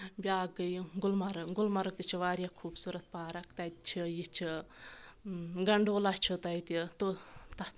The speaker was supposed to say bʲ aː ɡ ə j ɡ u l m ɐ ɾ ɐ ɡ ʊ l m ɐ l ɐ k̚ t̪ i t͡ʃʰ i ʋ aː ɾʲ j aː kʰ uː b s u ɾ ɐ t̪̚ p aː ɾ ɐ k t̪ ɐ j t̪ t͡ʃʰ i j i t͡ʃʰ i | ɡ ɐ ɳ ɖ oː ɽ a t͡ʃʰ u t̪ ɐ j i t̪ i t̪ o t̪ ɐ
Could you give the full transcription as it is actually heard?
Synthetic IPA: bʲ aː ɡ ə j ɡ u l m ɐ ɾ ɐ ɡ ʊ l m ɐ ɾ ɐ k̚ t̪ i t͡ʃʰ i ʋ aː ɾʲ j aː kʰ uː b s u ɾ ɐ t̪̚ p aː ɾ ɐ k t̪ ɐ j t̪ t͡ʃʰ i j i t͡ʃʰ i | ɡ ɐ ɳ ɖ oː l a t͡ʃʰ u t̪ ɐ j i t̪ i t̪ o t̪ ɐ